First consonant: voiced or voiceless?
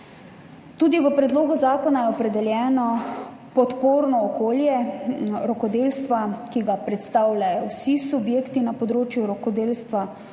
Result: voiceless